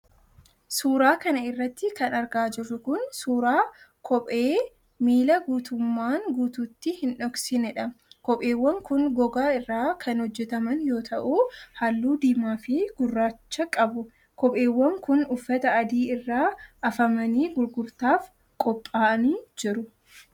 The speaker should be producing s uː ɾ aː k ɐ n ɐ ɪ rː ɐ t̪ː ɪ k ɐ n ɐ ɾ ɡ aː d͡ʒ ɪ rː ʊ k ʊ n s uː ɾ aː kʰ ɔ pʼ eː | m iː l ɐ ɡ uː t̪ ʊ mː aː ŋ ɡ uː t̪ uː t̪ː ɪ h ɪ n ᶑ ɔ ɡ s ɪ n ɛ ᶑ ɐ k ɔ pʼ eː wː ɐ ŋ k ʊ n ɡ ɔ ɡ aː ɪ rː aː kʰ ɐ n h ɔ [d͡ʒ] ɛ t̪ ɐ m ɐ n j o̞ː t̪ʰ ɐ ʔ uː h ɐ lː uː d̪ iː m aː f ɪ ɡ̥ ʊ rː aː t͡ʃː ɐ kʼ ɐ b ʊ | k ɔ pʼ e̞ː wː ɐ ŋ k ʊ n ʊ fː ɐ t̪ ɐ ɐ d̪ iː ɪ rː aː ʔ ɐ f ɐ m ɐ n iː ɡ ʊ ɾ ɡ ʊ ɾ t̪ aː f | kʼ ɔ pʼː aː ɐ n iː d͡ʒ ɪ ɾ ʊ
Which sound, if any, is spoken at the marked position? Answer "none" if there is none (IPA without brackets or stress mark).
d͡ʒː